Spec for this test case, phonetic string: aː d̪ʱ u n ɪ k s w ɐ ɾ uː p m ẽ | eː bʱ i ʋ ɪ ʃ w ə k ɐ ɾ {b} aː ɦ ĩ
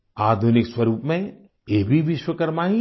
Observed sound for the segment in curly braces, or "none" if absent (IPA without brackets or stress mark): m